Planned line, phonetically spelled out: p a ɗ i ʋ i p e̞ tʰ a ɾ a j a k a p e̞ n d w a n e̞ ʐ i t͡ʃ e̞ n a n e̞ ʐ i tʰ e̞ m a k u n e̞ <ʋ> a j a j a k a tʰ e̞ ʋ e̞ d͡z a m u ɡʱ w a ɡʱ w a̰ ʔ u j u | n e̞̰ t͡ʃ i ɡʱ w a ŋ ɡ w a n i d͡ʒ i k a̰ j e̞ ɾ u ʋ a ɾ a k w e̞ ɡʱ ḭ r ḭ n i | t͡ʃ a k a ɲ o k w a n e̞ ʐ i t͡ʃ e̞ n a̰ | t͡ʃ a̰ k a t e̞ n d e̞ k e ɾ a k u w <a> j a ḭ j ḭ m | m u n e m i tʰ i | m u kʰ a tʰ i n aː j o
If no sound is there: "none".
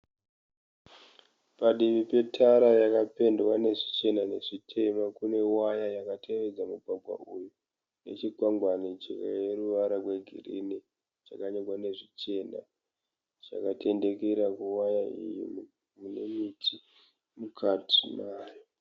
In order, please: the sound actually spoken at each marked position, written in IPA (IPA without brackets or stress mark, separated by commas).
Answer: w, a